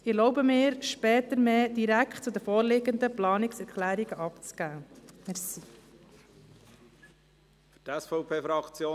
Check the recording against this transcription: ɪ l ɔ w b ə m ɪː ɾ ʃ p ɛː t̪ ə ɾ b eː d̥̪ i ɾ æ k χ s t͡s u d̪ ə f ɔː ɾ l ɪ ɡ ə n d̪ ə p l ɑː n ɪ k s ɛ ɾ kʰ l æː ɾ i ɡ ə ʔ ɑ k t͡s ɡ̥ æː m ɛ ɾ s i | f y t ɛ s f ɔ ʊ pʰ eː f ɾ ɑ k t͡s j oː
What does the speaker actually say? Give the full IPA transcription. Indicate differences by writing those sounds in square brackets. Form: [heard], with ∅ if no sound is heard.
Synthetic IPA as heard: ɪ l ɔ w b ə m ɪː ɾ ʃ p ɛː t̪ ə ɾ [m] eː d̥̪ i ɾ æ k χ [t] t͡s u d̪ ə f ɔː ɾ l ɪ ɡ ə n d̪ ə p l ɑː n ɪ k s ɛ ɾ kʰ l æː ɾ i ɡ ə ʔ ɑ [p] t͡s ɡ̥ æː m ɛ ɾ s i | f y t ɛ s f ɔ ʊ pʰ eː f ɾ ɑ k t͡s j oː

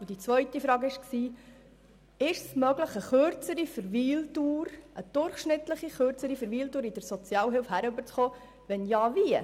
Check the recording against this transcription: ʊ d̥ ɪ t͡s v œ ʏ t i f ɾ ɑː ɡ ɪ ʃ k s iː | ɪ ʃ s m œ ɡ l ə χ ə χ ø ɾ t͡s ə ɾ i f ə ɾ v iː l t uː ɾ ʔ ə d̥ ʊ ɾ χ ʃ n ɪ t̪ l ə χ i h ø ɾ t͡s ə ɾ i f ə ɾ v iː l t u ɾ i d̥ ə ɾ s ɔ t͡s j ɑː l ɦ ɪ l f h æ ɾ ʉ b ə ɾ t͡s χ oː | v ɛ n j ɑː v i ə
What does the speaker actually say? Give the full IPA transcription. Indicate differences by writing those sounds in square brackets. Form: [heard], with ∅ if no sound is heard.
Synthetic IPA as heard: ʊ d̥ [i] t͡s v œ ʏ t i f ɾ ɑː ɡ ɪ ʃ k s iː | ɪ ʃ s m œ ɡ l ə χ ə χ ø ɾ t͡s ə ɾ i f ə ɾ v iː l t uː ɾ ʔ ə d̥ ʊ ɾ χ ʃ n ɪ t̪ l ə χ i [χ] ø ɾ t͡s ə ɾ i f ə ɾ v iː l t [uː] ɾ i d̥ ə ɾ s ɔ t͡s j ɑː l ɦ ɪ l f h æ ɾ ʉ b ə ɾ t͡s χ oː | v ɛ n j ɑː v i ə

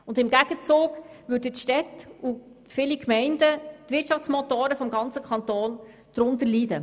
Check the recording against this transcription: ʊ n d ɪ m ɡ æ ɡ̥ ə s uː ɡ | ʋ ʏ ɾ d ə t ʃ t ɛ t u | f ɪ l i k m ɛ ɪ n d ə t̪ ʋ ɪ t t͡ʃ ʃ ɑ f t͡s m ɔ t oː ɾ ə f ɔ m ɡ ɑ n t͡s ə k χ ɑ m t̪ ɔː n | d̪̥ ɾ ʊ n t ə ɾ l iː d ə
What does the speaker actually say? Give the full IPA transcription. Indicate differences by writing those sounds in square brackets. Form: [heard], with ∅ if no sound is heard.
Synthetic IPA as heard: ʊ n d ɪ m ɡ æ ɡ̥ ə [t͡s] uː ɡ | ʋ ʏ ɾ d ə t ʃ t ɛ t u | f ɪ l i k m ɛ ɪ n d ə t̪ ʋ ɪ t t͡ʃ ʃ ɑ f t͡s m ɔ t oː ɾ ə f ɔ m ɡ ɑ n t͡s ə k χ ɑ [n] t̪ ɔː n | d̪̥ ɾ ʊ n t ə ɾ l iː d ə

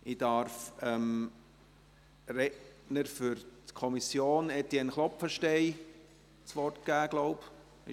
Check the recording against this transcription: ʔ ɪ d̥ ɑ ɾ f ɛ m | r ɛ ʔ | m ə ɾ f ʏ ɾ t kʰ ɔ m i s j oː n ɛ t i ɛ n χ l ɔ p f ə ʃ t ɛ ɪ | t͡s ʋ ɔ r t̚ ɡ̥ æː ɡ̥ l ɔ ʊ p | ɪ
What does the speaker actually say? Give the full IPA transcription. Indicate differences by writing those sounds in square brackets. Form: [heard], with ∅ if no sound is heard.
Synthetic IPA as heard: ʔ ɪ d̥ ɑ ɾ f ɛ m | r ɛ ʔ | [n] ə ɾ f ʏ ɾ t kʰ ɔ m i s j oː n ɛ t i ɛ n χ l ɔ p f ə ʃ t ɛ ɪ | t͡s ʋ ɔ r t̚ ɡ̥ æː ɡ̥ l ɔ ʊ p | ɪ

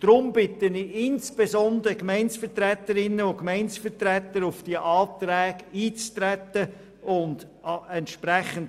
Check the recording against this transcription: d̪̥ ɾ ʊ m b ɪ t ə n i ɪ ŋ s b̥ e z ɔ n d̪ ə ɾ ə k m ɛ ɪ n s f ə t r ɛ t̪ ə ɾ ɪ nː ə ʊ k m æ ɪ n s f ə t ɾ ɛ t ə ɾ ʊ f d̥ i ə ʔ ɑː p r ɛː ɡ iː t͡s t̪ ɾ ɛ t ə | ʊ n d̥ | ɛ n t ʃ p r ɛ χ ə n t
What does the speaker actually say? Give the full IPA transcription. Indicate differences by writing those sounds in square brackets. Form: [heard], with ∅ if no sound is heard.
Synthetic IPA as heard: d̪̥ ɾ ʊ m b ɪ t ə n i ɪ [n] s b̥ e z ɔ n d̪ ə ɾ ə k m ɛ ɪ n s f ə t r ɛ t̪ ə ɾ ɪ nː ə ʊ k m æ ɪ n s f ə t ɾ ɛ t ə ɾ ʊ f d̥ i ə ʔ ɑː [t] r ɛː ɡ iː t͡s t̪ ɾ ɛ t ə | ʊ n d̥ | ɛ n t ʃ p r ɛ χ ə n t

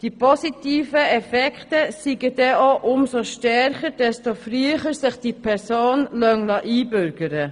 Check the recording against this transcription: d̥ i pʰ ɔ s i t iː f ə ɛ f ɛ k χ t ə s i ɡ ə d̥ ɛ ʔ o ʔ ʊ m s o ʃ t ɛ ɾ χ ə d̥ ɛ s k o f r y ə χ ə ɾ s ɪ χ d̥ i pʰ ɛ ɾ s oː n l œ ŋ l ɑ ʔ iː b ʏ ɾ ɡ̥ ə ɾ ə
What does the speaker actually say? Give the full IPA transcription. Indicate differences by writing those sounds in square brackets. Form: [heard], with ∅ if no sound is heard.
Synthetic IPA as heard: d̥ i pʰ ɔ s i t iː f ə ɛ f ɛ k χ t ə s i ɡ ə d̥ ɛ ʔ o ʔ ʊ m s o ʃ t ɛ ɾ χ ə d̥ ɛ s [t] o f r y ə χ ə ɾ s ɪ χ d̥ i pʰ ɛ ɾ s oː n l œ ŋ l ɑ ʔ iː b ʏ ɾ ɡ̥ ə ɾ ə

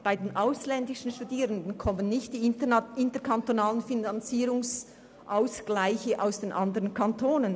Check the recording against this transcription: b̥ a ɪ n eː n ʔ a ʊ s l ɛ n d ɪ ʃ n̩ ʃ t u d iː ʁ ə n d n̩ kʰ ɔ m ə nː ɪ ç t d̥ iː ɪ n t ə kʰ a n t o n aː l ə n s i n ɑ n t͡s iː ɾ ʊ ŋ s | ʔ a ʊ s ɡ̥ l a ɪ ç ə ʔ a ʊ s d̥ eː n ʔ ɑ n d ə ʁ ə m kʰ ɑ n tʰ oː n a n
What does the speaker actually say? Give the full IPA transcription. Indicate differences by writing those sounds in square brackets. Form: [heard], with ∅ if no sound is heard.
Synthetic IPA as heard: b̥ a ɪ [d] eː n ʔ a ʊ s l ɛ n d ɪ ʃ n̩ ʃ t u d iː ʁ ə n d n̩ kʰ ɔ m ə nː ɪ ç t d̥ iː ɪ n t ə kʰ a n t o n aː l ə n [f] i n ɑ n t͡s iː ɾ ʊ ŋ s | ʔ a ʊ s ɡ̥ l a ɪ ç ə ʔ a ʊ s d̥ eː n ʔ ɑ n d ə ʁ ə [n] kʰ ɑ n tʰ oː n [ə] n

